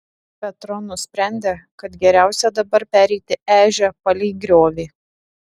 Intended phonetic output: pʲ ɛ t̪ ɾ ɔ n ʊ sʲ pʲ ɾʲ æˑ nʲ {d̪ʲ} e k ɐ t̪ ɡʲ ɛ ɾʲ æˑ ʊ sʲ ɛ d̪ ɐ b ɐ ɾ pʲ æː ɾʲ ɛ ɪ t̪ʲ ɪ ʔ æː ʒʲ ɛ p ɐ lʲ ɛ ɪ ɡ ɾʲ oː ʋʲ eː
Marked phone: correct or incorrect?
correct